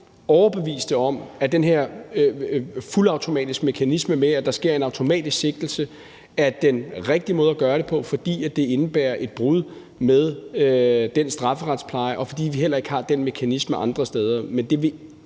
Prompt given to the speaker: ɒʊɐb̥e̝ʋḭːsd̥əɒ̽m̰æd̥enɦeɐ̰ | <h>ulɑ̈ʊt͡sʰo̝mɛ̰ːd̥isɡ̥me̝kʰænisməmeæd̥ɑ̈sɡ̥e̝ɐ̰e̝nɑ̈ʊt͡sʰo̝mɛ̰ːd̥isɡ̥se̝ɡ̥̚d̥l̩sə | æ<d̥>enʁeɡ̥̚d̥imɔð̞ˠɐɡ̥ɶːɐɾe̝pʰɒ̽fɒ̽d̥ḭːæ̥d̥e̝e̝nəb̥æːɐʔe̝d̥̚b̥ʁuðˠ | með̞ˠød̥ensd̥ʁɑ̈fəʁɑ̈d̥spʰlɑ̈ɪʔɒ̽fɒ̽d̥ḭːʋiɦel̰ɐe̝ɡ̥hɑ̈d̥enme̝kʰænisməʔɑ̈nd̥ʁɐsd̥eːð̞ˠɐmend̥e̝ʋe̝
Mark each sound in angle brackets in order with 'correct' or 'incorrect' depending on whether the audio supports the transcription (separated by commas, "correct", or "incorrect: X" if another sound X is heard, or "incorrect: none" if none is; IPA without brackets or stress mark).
incorrect: f, correct